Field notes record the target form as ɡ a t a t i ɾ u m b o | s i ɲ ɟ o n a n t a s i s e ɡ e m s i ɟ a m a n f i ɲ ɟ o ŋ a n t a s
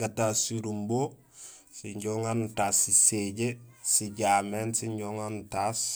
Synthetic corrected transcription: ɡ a t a s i ɾ u m b o | s i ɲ ɟ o ŋ a n t a s i s e ɟ e s i ɟ a m e n s i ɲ ɟ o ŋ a n t a s